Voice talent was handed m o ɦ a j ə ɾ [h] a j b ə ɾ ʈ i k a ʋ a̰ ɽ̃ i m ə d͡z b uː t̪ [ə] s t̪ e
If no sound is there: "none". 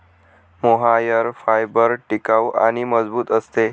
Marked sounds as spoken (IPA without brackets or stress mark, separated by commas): f, ə